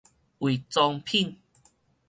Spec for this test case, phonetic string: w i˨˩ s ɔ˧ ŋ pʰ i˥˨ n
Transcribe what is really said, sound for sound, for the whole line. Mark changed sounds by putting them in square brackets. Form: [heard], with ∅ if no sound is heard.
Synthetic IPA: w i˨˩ [t͡s] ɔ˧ ŋ pʰ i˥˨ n

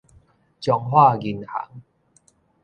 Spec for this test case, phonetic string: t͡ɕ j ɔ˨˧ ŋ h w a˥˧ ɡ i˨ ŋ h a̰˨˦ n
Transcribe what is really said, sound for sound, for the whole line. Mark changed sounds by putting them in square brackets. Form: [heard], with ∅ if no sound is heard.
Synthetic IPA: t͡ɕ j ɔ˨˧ ŋ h w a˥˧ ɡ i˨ [n] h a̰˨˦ [ŋ]

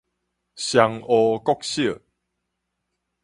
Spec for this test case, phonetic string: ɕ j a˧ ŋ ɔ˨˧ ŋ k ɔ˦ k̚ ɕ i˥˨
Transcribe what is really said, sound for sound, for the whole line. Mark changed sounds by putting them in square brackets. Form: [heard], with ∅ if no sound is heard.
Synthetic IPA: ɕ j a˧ ŋ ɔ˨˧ [∅] k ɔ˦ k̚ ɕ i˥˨

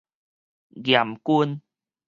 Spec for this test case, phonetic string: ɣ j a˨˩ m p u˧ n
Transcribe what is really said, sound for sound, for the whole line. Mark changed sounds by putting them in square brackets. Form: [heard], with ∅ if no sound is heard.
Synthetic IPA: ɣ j a˨˩ m [k] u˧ n

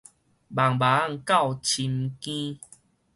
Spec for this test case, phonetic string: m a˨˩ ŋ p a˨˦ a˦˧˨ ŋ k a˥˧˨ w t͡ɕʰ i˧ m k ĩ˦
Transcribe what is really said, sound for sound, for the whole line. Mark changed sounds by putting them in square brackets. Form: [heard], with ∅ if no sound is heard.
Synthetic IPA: [b] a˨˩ ŋ [b] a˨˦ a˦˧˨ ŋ k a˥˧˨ w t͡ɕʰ i˧ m k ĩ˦

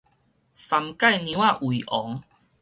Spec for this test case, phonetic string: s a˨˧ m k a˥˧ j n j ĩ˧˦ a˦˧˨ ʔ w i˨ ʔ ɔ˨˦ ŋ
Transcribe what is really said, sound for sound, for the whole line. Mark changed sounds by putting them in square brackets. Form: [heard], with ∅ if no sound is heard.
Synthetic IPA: s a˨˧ m k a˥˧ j n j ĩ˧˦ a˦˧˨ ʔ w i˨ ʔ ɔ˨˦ ŋ

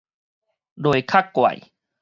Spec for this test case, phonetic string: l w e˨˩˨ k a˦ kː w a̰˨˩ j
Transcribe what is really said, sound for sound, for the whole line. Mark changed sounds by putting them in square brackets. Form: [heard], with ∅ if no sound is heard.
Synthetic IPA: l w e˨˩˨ [kʰ] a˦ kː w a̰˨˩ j

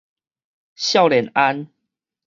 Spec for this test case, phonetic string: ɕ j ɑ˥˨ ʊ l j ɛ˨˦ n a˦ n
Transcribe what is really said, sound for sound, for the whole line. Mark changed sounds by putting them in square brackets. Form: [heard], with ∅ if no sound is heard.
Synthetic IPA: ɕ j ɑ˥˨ ʊ l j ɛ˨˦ n a˦ n

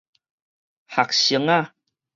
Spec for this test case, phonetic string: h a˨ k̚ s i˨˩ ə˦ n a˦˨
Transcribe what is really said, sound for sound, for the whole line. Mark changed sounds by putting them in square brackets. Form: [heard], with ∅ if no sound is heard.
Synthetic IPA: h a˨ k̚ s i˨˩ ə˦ [ŋ] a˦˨

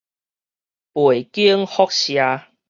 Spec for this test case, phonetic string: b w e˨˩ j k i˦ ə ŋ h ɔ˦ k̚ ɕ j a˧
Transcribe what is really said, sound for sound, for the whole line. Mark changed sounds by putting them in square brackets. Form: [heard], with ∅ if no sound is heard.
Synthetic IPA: [p] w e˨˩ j k i˦ ə ŋ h ɔ˦ k̚ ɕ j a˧

